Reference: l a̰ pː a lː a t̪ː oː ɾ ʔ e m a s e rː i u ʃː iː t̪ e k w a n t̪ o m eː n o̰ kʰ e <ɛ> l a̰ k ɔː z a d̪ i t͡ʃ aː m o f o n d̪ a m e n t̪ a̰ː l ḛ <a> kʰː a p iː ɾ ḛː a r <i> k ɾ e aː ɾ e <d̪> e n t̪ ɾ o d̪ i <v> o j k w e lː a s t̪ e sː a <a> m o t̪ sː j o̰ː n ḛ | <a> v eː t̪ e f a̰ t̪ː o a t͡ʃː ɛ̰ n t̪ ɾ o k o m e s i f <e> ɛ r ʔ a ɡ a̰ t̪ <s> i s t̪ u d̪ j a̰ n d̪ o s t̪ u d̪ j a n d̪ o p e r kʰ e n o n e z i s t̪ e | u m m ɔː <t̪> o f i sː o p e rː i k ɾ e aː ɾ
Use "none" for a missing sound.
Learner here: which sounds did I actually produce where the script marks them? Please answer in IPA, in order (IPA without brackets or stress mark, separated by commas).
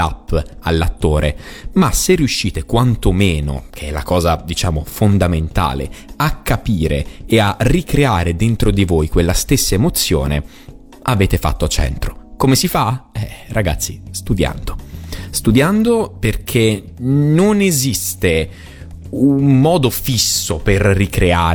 ɛ, a, i, d̪, v, e, a, a, sː, d̪